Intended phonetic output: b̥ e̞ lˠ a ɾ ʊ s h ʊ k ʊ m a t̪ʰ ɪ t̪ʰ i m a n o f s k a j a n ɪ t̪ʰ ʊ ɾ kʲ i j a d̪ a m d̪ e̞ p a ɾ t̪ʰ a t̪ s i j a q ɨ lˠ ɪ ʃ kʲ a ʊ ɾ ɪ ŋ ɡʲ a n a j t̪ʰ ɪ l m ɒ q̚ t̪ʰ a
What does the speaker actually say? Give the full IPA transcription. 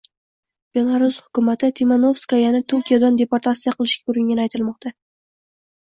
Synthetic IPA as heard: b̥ e̞ lˠ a ɾ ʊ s h ʊ k ʊ m a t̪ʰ ɪ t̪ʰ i m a n o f s k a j a n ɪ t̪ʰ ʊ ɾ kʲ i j a d̪ a n d̪ e̞ p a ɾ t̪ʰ a t̪ s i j a q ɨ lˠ ɪ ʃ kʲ a ʊ ɾ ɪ ŋ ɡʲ a n a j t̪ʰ ɪ l m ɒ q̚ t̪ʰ a